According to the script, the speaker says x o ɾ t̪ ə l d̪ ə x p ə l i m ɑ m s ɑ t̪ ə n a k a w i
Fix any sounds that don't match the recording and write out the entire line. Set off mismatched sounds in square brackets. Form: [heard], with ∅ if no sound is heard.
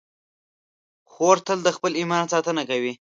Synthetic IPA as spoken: x o ɾ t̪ ə l d̪ ə x p ə l i m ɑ [n] s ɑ t̪ ə n a k a w i